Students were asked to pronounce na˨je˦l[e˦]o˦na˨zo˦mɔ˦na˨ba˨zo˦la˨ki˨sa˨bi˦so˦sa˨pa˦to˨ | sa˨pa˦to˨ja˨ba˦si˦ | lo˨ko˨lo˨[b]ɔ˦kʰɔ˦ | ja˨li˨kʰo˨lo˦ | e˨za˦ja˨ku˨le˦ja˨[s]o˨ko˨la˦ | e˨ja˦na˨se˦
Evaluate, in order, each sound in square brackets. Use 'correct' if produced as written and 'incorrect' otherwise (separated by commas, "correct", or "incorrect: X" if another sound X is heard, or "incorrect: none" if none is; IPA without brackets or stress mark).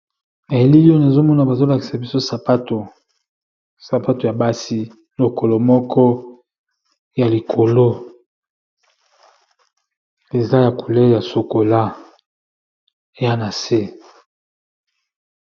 incorrect: i˦, incorrect: m, correct